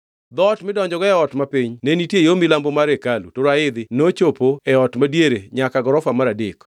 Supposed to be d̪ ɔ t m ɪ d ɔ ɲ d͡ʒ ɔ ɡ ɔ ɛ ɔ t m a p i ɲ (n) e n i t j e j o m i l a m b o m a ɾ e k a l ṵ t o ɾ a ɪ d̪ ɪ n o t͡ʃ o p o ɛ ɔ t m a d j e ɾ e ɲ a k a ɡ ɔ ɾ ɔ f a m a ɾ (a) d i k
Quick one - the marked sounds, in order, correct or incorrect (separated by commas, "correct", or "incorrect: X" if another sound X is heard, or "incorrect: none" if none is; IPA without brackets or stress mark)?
correct, correct